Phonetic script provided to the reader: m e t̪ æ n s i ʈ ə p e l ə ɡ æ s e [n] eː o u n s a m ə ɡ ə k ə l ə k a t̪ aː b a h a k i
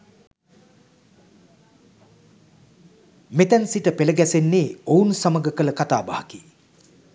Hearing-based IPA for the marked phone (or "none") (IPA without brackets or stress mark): nː